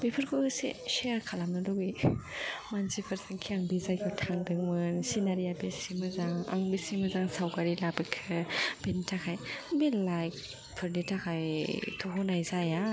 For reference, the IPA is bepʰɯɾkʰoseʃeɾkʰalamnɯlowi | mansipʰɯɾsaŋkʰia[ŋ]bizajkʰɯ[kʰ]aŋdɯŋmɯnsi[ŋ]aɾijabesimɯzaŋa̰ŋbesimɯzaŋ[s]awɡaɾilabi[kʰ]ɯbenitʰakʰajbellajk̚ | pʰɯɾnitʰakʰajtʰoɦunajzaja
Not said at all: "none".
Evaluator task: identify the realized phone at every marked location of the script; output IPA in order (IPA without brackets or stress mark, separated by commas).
ŋ, tʰ, n, s, kʰ